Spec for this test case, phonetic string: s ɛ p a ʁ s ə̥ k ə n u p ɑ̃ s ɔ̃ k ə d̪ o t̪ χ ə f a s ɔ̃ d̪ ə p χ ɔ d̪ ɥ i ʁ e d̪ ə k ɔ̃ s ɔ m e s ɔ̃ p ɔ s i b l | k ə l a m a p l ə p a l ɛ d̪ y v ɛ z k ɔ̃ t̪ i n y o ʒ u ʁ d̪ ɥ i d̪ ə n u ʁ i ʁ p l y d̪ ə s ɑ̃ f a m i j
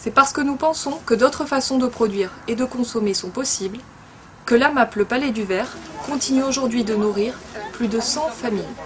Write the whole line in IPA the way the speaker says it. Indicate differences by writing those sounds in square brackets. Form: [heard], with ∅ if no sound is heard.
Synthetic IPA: s ɛ p a ʁ s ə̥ k ə n u p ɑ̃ s ɔ̃ k ə d̪ o t̪ χ ə f a s ɔ̃ d̪ ə p χ ɔ d̪ ɥ i ʁ e d̪ ə k ɔ̃ s ɔ m e s ɔ̃ p ɔ s i b l | k ə l a m a p l ə p a l ɛ d̪ y v ɛ [ʁ] k ɔ̃ t̪ i n y o ʒ u ʁ d̪ ɥ i d̪ ə n u ʁ i ʁ p l y d̪ ə s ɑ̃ f a m i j